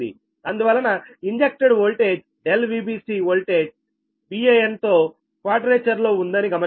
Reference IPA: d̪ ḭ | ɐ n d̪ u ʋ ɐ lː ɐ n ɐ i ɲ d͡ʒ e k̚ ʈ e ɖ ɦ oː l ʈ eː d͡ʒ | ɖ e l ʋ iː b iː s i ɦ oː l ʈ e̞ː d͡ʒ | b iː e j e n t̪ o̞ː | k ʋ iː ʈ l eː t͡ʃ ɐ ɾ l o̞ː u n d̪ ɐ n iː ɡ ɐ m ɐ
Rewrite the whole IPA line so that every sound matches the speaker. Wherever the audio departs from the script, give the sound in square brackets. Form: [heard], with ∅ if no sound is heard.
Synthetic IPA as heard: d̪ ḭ | ɐ n d̪ u ʋ ɐ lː ɐ n ɐ i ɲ d͡ʒ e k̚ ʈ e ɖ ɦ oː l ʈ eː d͡ʒ | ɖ e l ʋ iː b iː s i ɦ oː l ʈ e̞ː d͡ʒ | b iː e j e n t̪ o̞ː | k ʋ [aː] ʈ [ɾ] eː t͡ʃ ɐ ɾ l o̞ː u n d̪ ɐ n [i] ɡ ɐ m ɐ